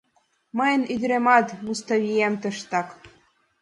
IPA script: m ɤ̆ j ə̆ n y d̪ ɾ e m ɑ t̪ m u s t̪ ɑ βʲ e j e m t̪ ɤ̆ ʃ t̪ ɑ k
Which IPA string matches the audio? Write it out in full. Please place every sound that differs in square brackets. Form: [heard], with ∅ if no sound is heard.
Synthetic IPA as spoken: m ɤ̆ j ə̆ n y d̪ ɾ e m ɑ t̪ m u s t̪ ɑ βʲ [i] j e m t̪ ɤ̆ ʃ t̪ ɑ k